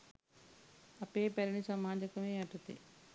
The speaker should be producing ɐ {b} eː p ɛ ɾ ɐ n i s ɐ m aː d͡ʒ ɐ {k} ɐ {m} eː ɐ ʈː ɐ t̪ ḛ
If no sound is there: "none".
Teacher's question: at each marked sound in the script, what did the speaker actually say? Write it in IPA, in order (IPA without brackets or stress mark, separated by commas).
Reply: p, k, m